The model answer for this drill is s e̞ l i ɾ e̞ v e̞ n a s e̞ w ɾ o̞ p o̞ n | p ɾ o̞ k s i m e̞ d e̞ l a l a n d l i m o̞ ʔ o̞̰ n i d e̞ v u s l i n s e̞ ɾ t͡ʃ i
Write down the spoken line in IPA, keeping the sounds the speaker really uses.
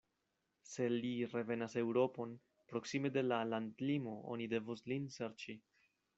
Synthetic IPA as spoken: s e̞ l i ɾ e̞ v e̞ n a s e̞ w ɾ o̞ p o̞ n | p ɾ o̞ k s i m e̞ d e̞ l a l a n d l i m o̞ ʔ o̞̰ n i d e̞ v u s l i n s e̞ ɾ t͡ʃ i